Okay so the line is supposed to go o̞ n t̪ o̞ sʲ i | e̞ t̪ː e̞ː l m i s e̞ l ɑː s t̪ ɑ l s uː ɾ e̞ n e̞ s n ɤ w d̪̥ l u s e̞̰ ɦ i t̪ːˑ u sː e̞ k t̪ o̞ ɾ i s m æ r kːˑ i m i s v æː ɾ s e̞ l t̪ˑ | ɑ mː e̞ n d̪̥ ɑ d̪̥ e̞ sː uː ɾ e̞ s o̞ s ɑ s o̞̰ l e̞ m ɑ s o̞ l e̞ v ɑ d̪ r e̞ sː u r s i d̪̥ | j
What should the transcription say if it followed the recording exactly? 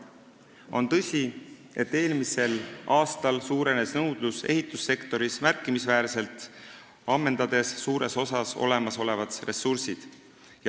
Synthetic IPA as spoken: o̞ n t̪ ɤ̞ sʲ i | e̞ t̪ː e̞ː l m i s e̞ l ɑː s t̪ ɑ l s uː ɾ e̞ n e̞ s n ɤ w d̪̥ l u s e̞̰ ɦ i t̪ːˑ u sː e̞ k t̪ o̞ ɾ i s m æ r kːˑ i m i s v æː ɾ s e̞ l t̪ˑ | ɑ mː e̞ n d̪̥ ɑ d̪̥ e̞ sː uː ɾ e̞ s o̞ s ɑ s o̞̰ l e̞ m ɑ s o̞ l e̞ v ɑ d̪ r e̞ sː u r s i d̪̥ | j